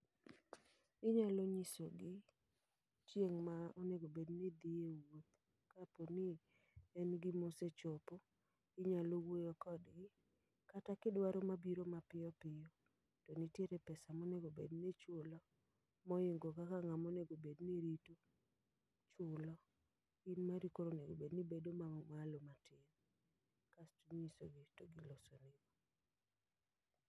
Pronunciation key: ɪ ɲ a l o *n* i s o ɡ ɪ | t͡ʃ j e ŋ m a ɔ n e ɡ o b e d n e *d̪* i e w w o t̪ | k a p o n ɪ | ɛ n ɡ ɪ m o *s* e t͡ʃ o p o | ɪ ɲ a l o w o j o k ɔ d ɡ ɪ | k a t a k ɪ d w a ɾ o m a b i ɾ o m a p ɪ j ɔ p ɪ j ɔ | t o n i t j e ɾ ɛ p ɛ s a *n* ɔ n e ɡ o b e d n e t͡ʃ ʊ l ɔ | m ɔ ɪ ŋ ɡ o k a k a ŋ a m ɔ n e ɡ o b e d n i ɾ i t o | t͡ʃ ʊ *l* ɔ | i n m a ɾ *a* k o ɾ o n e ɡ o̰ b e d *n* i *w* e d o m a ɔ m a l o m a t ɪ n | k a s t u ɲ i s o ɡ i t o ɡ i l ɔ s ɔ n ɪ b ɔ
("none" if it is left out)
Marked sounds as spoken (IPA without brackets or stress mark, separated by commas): ɲ, d̪, s, m, l, i, n, b